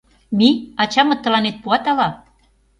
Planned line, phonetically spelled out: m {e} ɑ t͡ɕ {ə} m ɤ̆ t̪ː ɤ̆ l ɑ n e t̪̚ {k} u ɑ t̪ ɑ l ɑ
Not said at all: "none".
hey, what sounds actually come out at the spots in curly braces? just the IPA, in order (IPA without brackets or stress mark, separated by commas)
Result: i, ɑ, p